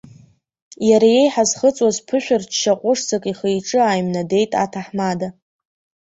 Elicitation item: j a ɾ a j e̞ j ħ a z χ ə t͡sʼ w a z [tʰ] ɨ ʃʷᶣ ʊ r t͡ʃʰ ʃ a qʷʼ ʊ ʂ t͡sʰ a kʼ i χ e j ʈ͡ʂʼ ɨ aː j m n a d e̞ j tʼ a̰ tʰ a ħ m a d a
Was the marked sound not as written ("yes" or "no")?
yes